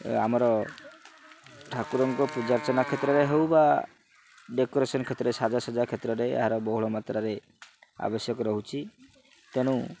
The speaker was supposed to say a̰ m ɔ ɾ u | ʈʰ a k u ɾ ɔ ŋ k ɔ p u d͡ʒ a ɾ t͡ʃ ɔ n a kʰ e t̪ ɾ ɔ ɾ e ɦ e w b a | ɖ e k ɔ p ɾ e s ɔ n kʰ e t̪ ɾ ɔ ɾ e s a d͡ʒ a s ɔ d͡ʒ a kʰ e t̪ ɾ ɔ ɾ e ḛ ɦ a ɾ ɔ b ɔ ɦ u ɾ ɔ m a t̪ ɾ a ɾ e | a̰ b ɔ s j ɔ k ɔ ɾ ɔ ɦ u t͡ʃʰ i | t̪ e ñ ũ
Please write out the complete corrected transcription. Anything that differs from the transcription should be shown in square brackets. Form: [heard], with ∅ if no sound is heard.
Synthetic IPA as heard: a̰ m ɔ ɾ [ɔ] | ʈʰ a k u ɾ ɔ ŋ k ɔ p u d͡ʒ a ɾ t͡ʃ ɔ n a kʰ e t̪ ɾ ɔ ɾ e ɦ e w b a | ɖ e k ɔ [∅] ɾ e s ɔ n kʰ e t̪ ɾ ɔ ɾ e s a d͡ʒ a s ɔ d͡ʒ a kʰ e t̪ ɾ ɔ ɾ e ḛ ɦ a ɾ ɔ b ɔ ɦ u [ɭ] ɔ m a t̪ ɾ a ɾ e | a̰ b ɔ s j ɔ k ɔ ɾ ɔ ɦ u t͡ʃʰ i | t̪ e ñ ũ

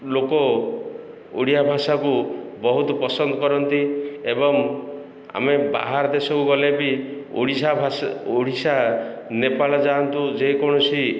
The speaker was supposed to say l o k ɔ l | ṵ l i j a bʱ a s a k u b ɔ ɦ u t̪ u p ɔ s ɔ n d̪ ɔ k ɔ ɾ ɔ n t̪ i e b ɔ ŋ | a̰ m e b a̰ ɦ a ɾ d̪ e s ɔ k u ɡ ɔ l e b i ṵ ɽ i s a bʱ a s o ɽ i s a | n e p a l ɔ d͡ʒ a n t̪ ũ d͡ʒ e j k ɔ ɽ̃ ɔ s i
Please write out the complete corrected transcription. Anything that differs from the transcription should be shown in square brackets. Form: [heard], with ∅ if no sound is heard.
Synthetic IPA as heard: l o k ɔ [∅] | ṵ [ɽ] i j a bʱ a s a k u b ɔ ɦ u t̪ [ɔ] p ɔ s ɔ n d̪ ɔ k ɔ ɾ ɔ n t̪ i e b ɔ ŋ | a̰ m e b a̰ ɦ a ɾ d̪ e s ɔ k u ɡ ɔ l e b i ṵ ɽ i s a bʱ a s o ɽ i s a | n e p a l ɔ d͡ʒ a n t̪ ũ d͡ʒ e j k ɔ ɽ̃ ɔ s i

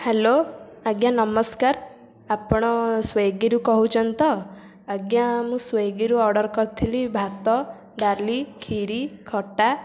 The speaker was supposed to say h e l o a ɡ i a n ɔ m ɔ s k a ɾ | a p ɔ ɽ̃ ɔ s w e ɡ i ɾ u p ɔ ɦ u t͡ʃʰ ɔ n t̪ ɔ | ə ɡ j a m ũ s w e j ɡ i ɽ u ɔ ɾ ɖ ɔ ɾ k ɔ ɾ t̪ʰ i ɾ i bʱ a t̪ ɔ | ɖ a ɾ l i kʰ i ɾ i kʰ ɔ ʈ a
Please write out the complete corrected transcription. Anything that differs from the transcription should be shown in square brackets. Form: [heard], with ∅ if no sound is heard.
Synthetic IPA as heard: h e l o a ɡ [j] a n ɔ m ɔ s k a ɾ | a p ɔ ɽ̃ ɔ s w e ɡ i ɾ u [k] ɔ ɦ u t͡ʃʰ ɔ n t̪ ɔ | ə ɡ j a m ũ s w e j ɡ i [ɾ] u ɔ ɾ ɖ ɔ ɾ k ɔ ɾ t̪ʰ i [l] i bʱ a t̪ ɔ | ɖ a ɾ l i kʰ i ɾ i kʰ ɔ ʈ a

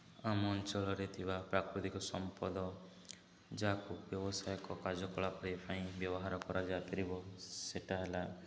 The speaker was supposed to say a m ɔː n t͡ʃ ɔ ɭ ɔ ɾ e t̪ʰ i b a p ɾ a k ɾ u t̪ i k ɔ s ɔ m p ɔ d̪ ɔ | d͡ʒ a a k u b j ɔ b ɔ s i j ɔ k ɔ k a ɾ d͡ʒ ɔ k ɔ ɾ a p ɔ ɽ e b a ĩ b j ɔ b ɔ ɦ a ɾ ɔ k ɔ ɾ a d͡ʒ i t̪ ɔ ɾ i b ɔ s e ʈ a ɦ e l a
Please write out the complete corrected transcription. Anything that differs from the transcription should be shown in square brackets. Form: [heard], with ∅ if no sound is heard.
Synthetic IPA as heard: a m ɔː n t͡ʃ ɔ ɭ ɔ ɾ e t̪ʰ i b a p ɾ a k ɾ u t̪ i k ɔ s ɔ m p ɔ d̪ ɔ | d͡ʒ a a k u b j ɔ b ɔ s [a] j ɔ k ɔ k a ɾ d͡ʒ ɔ k ɔ [ɭ] a p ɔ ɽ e [p] a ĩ b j ɔ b ɔ ɦ a ɾ ɔ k ɔ ɾ a d͡ʒ [a] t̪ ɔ ɾ i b ɔ s e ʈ a ɦ e l a

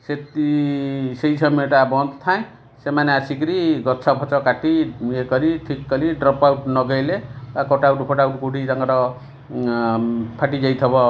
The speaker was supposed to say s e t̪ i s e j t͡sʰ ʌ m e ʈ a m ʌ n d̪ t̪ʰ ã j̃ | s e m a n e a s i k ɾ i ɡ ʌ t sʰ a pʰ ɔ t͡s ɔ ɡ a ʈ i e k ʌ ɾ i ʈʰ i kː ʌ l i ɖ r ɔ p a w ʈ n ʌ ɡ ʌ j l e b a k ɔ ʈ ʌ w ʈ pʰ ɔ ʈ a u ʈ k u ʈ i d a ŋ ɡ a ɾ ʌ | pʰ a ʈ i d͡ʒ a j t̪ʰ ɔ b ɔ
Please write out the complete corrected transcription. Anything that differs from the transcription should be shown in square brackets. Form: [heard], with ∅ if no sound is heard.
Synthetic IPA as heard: s e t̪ i s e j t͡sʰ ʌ m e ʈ a [b] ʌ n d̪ t̪ʰ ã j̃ | s e m a n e a s i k ɾ i ɡ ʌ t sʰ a pʰ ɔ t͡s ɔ [k] a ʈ i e k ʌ ɾ i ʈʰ i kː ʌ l i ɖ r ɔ p a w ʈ n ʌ ɡ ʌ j l e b a k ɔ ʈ [a] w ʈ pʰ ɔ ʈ a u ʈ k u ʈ i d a ŋ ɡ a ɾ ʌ | pʰ a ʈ i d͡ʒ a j t̪ʰ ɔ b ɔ

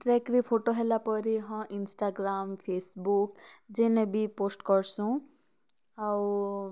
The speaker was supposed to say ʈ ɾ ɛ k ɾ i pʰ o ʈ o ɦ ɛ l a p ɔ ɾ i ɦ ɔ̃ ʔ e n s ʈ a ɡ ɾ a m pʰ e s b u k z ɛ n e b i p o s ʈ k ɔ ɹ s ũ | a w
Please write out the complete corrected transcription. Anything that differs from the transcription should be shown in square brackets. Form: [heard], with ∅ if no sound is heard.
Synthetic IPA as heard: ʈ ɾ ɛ k ɾ i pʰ o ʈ o ɦ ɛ l a p ɔ ɾ i ɦ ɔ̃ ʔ [i] n s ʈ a ɡ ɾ a m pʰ e s b u k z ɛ n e b i p o s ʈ k ɔ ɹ s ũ | a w

